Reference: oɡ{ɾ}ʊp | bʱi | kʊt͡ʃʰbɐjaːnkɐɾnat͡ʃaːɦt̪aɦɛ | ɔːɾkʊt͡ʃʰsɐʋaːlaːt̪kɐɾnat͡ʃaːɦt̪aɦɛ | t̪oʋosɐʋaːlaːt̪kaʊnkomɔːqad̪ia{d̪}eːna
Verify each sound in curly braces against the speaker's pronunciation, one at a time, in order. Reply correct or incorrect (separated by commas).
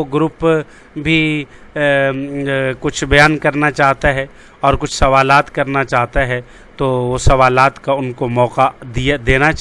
correct, correct